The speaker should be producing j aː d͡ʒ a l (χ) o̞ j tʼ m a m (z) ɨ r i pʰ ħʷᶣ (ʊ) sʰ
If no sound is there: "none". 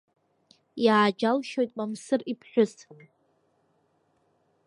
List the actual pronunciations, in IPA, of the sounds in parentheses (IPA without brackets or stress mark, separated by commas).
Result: ʃ, s, ʊ